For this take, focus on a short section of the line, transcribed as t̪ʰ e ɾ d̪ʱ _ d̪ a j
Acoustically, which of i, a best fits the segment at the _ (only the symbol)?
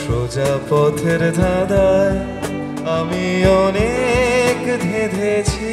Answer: a